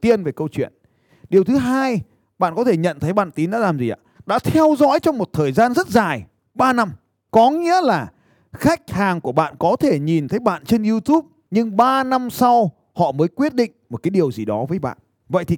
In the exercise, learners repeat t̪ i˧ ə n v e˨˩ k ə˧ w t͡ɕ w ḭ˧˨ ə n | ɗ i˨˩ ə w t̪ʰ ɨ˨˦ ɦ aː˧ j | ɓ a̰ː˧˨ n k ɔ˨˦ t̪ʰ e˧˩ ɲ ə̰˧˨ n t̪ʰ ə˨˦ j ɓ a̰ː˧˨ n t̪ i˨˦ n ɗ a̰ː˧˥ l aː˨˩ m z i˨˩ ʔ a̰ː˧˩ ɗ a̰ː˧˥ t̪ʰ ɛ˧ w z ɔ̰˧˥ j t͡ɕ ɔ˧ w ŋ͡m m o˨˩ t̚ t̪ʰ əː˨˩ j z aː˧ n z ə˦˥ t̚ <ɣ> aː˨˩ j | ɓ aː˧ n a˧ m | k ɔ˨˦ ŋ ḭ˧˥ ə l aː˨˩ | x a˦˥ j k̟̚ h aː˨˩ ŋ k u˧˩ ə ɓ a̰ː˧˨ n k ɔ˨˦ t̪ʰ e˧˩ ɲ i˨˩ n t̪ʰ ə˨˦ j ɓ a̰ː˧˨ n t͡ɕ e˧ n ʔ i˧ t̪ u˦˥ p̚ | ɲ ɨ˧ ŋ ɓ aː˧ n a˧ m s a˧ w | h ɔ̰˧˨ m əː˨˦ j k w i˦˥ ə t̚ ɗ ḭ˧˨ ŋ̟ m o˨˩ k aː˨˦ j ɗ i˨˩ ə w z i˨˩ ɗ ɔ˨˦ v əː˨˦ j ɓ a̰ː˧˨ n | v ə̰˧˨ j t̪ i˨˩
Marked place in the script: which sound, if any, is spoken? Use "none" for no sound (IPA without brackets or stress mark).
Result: z